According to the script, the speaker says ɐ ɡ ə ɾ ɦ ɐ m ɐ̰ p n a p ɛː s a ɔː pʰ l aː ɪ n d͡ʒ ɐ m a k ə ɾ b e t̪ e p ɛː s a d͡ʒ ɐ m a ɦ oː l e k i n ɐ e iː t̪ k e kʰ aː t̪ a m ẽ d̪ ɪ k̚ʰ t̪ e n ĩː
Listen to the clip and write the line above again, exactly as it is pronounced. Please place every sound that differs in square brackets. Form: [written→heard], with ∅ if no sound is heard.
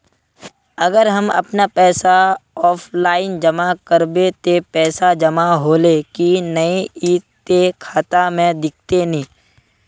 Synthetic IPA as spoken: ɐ ɡ ə ɾ ɦ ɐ m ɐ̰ p n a p ɛː s a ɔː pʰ l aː ɪ n d͡ʒ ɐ m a k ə ɾ b e t̪ e p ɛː s a d͡ʒ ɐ m a ɦ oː l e k i n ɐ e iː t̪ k e kʰ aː t̪ a m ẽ d̪ ɪ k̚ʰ t̪ e n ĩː